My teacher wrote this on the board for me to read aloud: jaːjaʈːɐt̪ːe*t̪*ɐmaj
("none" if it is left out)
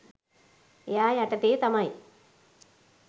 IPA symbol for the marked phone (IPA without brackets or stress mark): t̪